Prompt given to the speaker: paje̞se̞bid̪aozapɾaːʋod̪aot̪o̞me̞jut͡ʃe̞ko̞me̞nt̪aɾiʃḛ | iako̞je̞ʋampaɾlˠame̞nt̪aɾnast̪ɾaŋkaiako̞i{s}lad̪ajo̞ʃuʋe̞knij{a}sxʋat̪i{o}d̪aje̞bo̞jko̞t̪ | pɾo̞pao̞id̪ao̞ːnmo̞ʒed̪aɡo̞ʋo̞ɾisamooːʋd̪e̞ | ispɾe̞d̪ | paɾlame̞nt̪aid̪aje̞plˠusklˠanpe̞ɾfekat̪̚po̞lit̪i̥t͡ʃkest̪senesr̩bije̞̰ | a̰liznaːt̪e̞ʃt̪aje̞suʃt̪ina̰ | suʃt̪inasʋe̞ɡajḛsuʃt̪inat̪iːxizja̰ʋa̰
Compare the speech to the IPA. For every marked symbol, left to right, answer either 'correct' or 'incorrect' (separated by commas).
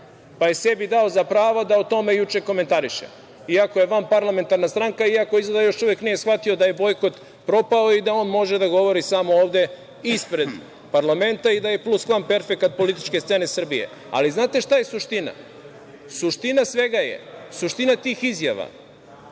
incorrect, incorrect, correct